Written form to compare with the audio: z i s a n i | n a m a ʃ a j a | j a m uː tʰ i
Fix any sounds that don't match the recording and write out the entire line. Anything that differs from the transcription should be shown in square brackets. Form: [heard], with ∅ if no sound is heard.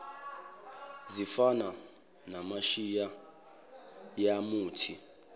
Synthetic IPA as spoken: z i [f] a n [a] | n a m a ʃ [i] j a | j a m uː tʰ i